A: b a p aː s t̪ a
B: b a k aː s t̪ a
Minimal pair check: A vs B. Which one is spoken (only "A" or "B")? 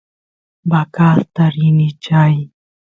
B